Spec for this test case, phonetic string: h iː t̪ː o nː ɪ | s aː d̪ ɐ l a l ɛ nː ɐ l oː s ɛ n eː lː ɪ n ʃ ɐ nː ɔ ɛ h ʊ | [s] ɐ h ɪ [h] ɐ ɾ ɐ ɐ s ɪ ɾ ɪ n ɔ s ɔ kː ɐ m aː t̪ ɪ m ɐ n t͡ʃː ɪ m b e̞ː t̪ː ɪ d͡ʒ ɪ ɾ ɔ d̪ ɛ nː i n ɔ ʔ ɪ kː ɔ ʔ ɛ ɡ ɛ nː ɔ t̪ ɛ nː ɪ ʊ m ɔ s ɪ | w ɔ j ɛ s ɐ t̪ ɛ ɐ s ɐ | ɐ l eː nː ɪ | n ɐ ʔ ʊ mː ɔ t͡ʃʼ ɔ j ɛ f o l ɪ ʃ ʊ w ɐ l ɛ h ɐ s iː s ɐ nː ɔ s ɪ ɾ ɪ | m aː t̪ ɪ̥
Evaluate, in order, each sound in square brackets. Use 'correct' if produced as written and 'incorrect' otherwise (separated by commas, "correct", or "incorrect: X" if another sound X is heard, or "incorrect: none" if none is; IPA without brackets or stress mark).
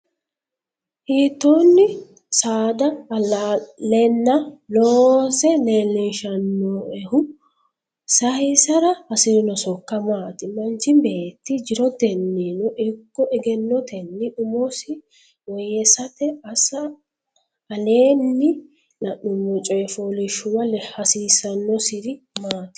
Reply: correct, incorrect: s